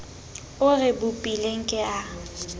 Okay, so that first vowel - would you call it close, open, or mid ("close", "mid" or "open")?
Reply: close